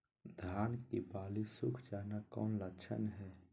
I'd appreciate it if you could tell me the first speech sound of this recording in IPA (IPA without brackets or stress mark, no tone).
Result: d̪ʱ